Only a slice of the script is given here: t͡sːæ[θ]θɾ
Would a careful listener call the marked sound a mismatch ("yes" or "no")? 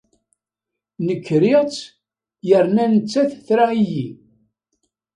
no